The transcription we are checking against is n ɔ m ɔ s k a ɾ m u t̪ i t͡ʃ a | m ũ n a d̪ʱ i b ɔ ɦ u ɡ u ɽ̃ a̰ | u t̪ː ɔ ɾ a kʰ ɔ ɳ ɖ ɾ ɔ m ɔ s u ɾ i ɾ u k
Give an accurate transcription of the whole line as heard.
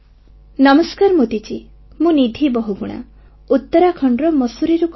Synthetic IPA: n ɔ m ɔ s k a ɾ m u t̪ i t͡ʃ i | m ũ n i d̪ʱ i b ɔ ɦ u ɡ u ɽ̃ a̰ | u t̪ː ɔ ɾ a kʰ ɔ ɳ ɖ ɾ ɔ m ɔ s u ɾ i ɾ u k